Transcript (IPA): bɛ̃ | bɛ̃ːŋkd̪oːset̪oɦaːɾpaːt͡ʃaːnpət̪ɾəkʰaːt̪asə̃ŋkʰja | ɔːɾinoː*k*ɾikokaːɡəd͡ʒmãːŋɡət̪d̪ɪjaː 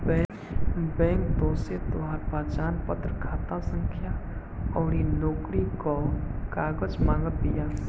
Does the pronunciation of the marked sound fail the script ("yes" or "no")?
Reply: no